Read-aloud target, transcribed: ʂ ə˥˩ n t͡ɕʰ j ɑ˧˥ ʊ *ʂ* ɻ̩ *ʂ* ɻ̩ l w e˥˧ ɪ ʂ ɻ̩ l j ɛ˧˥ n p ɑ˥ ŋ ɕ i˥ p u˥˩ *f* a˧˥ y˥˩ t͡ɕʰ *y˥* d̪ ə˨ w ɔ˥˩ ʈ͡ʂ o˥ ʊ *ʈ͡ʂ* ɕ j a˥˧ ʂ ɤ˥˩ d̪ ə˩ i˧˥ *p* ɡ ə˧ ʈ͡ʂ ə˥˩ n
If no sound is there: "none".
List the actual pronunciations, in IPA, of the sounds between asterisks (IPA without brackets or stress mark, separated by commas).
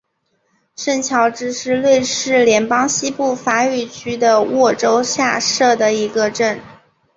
ʈ͡ʂ, ʂ, f, y˥, none, none